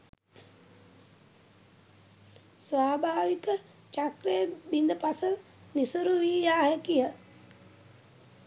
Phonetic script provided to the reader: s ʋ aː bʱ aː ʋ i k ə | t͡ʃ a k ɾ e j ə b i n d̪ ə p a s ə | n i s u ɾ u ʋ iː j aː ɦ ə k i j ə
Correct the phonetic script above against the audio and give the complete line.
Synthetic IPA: s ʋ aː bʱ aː ʋ i k ə | t͡ʃ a k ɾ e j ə b i n d̪ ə p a s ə | n i s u ɾ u ʋ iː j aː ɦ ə k i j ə